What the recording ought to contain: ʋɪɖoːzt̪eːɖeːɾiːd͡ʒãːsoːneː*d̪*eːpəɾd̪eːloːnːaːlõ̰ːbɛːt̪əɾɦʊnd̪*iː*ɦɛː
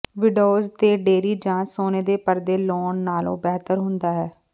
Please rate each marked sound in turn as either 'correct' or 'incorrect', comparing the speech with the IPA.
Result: correct, incorrect

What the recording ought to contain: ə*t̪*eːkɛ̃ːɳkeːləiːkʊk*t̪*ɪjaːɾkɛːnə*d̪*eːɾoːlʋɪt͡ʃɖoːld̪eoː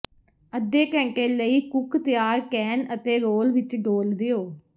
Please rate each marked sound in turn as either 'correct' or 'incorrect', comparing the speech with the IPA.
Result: incorrect, correct, incorrect

